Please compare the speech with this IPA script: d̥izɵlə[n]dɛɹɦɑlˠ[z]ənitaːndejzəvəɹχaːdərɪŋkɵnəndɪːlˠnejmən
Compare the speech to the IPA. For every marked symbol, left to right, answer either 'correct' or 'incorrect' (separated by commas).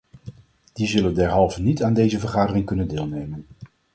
correct, incorrect